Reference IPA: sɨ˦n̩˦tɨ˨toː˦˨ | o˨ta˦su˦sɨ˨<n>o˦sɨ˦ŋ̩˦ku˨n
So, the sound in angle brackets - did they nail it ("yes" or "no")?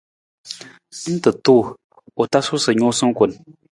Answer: no